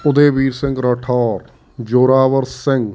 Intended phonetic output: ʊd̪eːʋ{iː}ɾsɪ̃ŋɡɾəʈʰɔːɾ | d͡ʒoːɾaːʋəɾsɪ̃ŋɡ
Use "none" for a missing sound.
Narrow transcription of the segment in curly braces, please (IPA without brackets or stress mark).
iː